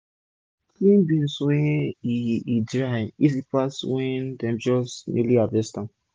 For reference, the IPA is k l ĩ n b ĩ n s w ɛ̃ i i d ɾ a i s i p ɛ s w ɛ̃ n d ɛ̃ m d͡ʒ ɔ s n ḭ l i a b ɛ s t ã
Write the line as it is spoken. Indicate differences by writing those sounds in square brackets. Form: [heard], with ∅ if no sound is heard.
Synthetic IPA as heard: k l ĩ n b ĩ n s w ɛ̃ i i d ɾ a i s i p [a] s w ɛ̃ n d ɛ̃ m d͡ʒ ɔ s n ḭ l i a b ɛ s t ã